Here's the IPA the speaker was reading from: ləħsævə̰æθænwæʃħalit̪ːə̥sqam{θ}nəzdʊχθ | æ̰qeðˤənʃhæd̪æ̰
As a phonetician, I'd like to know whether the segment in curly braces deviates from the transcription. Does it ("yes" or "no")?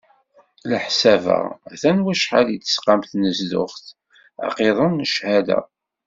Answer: no